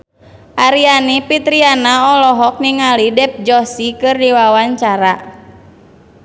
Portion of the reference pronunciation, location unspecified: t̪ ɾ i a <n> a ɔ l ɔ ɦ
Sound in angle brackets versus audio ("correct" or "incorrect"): correct